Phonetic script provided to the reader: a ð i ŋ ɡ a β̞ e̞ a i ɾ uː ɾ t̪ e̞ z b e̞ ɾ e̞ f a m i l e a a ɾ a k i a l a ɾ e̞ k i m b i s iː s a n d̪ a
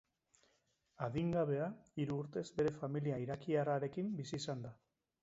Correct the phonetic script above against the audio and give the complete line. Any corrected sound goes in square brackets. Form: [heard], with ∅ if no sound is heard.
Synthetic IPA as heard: a ð i ŋ ɡ a β̞ e̞ a i ɾ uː ɾ t̪ e̞ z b e̞ ɾ e̞ f a m i l [i] a [i] ɾ a k i a [r] a ɾ e̞ k i m b i s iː s a n d̪ a